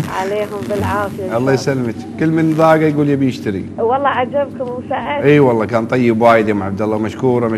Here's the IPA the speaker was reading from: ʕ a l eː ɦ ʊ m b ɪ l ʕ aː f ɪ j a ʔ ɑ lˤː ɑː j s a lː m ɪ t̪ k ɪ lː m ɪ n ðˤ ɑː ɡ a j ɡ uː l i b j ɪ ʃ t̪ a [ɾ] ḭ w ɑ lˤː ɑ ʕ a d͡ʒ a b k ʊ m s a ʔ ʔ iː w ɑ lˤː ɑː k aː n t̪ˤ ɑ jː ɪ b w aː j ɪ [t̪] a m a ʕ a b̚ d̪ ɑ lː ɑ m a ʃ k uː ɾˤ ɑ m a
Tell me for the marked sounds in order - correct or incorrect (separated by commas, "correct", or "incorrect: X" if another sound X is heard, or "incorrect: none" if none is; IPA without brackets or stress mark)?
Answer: correct, incorrect: d̪